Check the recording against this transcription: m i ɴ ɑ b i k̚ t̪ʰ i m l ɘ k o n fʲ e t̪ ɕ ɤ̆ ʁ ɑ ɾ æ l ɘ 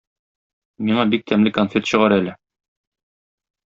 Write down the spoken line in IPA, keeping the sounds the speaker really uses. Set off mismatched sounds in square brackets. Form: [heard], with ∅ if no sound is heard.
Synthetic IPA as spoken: m i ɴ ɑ b i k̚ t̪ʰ [æ] m l ɘ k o n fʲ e t̪ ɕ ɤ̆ ʁ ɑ ɾ æ l ɘ